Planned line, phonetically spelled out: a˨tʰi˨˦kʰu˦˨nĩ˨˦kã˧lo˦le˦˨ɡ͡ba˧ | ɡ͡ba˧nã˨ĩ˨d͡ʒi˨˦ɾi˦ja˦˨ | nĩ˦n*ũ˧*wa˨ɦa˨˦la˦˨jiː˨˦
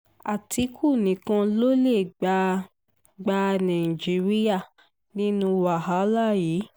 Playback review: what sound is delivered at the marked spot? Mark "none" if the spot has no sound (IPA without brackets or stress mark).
ũ˧